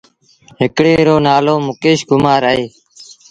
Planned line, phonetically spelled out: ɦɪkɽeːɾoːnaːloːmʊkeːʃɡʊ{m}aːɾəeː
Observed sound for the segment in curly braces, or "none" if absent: m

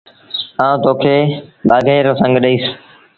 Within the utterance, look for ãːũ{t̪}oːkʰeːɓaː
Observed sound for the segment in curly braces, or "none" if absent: t̪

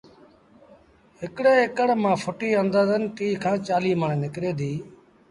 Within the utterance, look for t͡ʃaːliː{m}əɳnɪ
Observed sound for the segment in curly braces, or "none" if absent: m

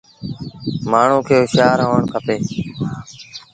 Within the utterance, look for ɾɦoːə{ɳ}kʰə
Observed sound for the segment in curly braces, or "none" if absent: ɳ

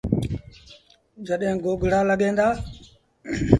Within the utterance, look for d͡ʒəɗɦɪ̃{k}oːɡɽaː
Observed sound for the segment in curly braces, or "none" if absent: ɡ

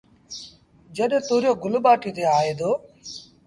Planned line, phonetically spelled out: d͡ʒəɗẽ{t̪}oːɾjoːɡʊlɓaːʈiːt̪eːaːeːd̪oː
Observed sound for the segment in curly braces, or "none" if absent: t̪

